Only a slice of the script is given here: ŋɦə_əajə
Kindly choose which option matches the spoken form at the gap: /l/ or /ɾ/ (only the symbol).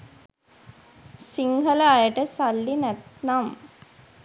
l